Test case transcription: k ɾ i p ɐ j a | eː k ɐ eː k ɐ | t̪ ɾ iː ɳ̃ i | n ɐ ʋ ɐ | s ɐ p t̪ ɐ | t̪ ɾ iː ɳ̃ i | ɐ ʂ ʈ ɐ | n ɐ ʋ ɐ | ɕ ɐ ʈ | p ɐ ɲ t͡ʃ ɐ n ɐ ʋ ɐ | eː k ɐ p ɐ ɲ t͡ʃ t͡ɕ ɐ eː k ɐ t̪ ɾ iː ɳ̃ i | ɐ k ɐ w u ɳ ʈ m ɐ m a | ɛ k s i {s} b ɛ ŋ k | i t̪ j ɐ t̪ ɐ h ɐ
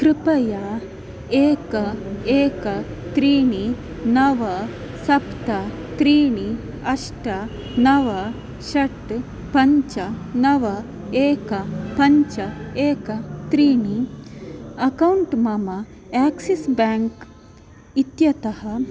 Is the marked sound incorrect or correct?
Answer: correct